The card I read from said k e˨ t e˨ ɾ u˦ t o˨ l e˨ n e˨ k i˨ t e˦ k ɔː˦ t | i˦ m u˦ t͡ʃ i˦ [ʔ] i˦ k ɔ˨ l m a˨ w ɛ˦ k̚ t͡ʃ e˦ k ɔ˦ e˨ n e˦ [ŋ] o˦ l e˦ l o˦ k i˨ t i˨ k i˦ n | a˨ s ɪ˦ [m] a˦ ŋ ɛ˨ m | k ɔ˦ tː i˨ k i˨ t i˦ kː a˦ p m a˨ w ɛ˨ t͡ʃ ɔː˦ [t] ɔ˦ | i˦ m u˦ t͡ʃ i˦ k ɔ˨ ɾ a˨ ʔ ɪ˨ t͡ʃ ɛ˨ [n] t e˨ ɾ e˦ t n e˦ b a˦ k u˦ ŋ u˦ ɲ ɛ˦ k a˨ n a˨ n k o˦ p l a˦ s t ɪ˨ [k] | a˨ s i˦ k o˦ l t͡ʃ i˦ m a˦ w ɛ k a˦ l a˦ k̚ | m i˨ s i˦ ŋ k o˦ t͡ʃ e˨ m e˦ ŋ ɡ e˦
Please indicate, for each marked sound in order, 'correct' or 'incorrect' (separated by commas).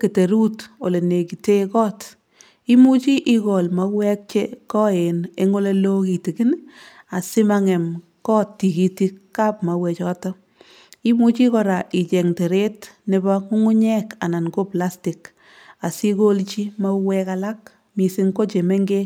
correct, correct, correct, correct, incorrect, correct